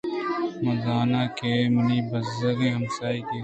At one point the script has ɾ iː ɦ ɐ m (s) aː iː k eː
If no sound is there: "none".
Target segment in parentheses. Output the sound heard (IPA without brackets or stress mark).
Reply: s